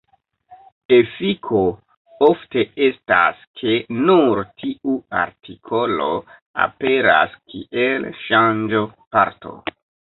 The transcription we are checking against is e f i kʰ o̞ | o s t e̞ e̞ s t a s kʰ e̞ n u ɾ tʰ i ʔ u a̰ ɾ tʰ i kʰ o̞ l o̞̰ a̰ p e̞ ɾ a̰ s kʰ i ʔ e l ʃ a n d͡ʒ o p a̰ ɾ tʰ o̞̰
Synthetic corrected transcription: e f i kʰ o̞ | o f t e̞ e̞ s t a s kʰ e̞ n u ɾ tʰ i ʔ u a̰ ɾ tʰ i kʰ o̞ l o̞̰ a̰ p e̞ ɾ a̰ s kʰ i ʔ e l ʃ a n d͡ʒ o p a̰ ɾ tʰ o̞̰